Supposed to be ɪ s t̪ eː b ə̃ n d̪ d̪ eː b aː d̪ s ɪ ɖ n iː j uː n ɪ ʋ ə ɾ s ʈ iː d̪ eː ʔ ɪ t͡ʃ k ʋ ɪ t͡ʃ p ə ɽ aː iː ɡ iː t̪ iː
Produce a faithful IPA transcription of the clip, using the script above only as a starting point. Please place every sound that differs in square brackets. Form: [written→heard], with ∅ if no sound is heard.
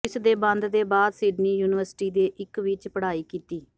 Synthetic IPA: ɪ s [t̪→d̪] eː b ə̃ n d̪ d̪ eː b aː d̪ s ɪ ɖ n iː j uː n ɪ ʋ ə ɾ s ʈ iː d̪ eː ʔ ɪ [t͡ʃ→∅] k ʋ ɪ t͡ʃ p ə ɽ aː iː [ɡ→k] iː t̪ iː